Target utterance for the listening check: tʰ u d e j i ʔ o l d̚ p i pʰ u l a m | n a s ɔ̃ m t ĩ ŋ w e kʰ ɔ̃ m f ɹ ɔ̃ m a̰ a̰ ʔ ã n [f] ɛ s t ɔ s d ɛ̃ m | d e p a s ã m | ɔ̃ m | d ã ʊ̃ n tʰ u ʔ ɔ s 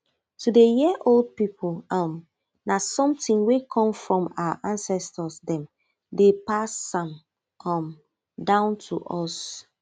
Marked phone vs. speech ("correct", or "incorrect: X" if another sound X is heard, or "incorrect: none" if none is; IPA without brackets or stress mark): incorrect: s